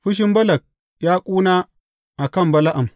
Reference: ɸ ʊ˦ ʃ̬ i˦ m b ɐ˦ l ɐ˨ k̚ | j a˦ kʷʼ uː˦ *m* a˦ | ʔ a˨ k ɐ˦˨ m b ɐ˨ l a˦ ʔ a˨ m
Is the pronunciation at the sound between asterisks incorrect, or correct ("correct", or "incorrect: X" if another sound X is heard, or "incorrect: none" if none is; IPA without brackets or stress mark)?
incorrect: n